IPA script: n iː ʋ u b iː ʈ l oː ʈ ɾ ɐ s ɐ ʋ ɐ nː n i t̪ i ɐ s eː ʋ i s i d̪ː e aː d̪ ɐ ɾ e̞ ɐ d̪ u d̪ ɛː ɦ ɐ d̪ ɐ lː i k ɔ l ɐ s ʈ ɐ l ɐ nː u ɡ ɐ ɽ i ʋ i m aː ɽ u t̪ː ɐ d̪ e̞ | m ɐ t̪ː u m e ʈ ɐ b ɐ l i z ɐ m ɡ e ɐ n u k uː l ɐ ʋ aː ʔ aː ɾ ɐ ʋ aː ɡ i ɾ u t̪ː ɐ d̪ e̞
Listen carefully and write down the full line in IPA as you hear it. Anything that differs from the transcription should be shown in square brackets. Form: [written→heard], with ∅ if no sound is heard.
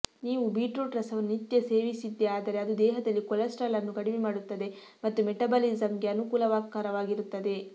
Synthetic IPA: n iː ʋ u b iː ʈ [l→ɾ] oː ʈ ɾ ɐ s ɐ ʋ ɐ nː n i t̪ [i→j] ɐ s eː ʋ i s i d̪ː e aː d̪ ɐ ɾ e̞ ɐ d̪ u d̪ ɛː ɦ ɐ d̪ ɐ lː i k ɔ l ɐ s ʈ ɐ l ɐ nː u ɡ ɐ ɽ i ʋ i m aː ɽ u t̪ː ɐ d̪ e̞ | m ɐ t̪ː u m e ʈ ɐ b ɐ l i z ɐ m ɡ e ɐ n u k uː l ɐ ʋ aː [ʔ→k] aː ɾ ɐ ʋ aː ɡ i ɾ u t̪ː ɐ d̪ e̞

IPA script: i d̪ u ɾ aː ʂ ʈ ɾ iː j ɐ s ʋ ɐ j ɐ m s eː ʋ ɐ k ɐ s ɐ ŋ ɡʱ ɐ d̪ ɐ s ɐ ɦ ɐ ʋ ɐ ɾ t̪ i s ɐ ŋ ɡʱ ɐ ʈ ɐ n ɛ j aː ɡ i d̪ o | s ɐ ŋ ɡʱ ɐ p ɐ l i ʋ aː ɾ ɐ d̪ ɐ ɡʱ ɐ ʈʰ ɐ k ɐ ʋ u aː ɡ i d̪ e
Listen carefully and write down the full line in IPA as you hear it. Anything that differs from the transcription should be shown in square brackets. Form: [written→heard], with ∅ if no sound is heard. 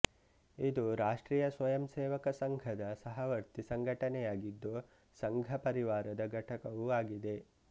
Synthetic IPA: i d̪ u ɾ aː ʂ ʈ ɾ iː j ɐ s ʋ ɐ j ɐ m s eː ʋ ɐ k ɐ s ɐ ŋ ɡʱ ɐ d̪ ɐ s ɐ ɦ ɐ ʋ ɐ ɾ t̪ i s ɐ ŋ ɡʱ ɐ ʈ ɐ n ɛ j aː ɡ i [d̪→d̪ː] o | s ɐ ŋ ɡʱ ɐ p ɐ [l→ɾ] i ʋ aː ɾ ɐ d̪ ɐ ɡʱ ɐ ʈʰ ɐ k ɐ ʋ u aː ɡ i d̪ e

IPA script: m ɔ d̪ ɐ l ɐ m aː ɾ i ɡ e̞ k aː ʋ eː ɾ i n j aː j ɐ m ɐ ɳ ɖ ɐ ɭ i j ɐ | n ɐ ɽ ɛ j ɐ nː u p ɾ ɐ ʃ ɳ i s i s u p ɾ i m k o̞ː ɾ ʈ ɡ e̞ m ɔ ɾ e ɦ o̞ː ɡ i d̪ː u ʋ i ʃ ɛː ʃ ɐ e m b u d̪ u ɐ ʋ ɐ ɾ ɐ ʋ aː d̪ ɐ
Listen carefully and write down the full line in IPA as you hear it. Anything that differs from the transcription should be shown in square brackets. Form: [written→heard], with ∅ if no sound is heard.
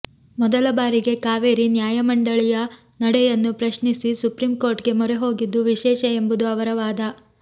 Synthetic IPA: m ɔ d̪ ɐ l ɐ [m→b] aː ɾ i ɡ e̞ k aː ʋ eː ɾ i n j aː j ɐ m ɐ ɳ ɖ ɐ ɭ i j ɐ | n ɐ ɽ ɛ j ɐ nː u p ɾ ɐ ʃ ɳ i s i s u p ɾ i m k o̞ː ɾ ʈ ɡ e̞ m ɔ ɾ e ɦ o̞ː ɡ i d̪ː u ʋ i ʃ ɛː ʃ ɐ e m b u d̪ u ɐ ʋ ɐ ɾ ɐ ʋ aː d̪ ɐ

